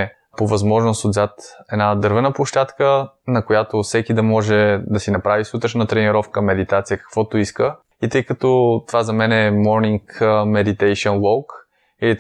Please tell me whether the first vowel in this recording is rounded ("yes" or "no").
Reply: yes